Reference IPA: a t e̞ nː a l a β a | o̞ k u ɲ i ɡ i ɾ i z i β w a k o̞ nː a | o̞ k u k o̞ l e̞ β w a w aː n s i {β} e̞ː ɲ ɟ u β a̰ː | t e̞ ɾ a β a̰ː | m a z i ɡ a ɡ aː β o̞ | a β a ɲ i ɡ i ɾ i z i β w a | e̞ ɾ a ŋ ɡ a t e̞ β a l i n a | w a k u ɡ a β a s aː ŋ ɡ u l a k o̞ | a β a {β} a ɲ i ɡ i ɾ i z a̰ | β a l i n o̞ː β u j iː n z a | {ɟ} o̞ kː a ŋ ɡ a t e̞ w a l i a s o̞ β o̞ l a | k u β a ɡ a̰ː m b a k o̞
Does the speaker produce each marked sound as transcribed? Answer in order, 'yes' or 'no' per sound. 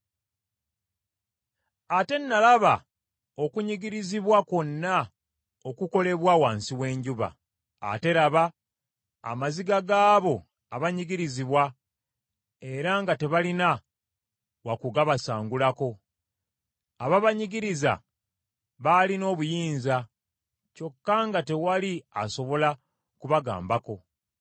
no, yes, no

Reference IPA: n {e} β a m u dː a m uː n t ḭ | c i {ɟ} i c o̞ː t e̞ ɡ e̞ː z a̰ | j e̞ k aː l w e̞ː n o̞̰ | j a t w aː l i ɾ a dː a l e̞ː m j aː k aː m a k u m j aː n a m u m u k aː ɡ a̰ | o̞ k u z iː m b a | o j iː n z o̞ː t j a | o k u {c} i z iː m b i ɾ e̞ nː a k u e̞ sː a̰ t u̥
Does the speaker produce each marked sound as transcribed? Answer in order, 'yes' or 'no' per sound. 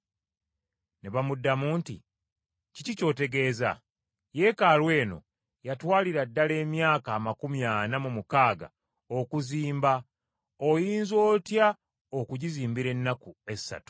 yes, no, no

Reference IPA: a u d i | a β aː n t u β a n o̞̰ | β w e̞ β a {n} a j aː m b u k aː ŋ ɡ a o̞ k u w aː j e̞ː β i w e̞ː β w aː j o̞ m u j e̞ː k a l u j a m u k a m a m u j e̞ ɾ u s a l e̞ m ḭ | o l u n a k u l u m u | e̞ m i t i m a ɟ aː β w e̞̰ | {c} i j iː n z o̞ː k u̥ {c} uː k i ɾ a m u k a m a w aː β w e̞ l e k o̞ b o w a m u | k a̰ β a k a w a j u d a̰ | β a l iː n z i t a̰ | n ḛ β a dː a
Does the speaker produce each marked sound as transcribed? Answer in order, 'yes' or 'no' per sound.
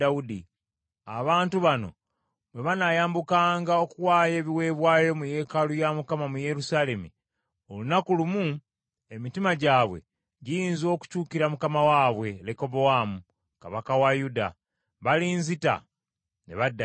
yes, no, yes

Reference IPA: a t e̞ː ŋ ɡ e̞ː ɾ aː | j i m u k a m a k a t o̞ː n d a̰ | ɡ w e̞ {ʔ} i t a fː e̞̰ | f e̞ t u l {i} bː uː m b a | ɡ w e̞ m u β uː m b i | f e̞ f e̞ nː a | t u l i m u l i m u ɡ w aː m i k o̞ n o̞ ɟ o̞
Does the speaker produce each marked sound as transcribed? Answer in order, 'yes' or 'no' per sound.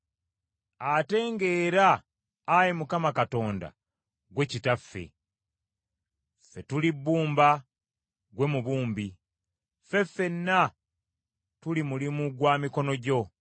no, yes

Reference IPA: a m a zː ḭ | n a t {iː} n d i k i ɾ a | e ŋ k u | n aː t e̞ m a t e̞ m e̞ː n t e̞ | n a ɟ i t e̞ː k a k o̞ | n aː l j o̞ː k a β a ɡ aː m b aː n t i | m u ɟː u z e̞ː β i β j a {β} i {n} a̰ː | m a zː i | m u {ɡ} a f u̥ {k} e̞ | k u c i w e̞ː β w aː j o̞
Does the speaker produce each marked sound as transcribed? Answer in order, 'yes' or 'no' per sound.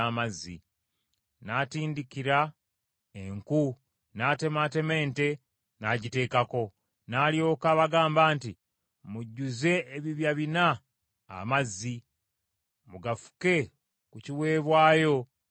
yes, yes, yes, yes, yes

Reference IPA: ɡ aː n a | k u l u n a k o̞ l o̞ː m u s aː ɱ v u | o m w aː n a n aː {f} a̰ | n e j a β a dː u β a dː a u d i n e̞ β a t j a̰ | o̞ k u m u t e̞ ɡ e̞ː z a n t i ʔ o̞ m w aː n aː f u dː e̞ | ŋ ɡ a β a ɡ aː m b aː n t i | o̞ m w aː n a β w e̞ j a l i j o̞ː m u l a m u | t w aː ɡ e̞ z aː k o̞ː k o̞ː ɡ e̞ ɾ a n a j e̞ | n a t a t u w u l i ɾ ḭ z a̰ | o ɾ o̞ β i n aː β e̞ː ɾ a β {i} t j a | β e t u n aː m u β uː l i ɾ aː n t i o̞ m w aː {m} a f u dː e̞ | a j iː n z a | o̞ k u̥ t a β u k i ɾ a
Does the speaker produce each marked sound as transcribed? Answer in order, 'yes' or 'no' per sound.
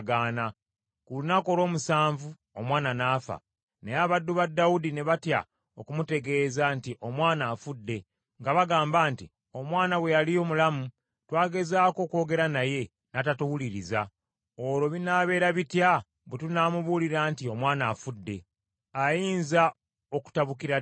yes, yes, no

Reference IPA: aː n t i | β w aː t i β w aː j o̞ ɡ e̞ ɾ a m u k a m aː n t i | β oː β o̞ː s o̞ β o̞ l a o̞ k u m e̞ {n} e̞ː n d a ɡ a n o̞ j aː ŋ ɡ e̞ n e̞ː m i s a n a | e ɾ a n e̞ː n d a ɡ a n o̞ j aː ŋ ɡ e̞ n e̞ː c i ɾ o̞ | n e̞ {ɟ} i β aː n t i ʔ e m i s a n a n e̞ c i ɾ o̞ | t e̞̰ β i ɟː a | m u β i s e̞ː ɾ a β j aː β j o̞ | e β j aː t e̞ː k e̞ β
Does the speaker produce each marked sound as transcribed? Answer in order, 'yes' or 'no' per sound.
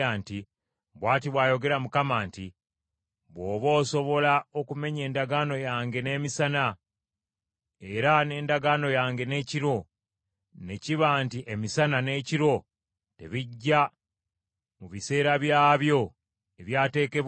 no, no

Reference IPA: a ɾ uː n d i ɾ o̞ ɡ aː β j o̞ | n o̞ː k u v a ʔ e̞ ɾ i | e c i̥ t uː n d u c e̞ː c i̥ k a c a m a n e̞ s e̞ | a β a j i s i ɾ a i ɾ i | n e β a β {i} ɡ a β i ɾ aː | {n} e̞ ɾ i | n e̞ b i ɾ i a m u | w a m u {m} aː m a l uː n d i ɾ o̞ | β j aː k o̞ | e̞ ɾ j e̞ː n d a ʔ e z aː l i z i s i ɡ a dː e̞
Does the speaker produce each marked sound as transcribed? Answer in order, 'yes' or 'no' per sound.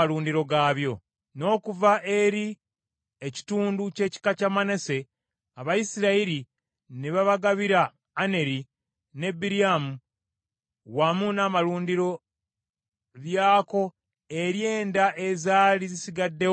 no, yes, no

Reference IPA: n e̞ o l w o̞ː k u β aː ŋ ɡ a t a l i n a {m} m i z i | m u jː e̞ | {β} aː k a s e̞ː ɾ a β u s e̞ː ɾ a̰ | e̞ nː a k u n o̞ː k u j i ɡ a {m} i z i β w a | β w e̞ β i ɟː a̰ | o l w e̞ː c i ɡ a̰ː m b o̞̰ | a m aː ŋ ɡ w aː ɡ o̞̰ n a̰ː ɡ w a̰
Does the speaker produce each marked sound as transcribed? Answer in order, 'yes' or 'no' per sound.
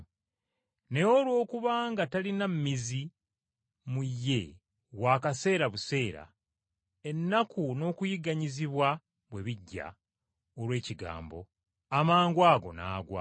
yes, no, no

